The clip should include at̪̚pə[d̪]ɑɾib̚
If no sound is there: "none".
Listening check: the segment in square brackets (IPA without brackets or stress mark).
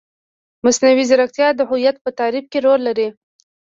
t̪